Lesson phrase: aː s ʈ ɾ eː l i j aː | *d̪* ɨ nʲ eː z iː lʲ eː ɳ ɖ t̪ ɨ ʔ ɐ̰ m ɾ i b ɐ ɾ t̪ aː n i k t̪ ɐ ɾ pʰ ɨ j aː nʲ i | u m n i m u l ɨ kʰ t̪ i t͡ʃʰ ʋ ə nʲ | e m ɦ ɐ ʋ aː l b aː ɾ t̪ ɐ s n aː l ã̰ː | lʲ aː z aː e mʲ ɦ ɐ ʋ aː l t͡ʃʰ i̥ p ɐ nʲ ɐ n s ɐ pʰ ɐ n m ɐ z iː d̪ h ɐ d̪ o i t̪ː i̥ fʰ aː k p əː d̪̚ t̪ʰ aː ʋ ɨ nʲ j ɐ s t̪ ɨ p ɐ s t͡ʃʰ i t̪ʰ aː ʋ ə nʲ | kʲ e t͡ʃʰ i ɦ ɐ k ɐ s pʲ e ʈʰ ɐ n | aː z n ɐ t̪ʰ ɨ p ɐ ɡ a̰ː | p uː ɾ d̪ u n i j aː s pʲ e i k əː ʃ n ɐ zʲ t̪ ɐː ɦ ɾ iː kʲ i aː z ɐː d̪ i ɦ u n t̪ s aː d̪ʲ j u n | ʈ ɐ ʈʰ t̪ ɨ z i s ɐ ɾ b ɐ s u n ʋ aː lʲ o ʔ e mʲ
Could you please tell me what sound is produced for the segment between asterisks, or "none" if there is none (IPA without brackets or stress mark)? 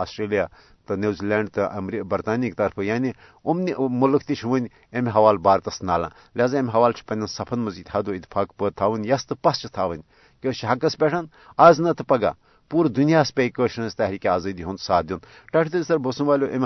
t̪